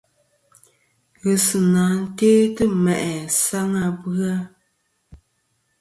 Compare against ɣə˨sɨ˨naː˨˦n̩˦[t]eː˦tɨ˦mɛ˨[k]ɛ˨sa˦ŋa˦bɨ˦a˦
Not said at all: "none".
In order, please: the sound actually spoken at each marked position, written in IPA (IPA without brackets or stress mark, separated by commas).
t, ʔ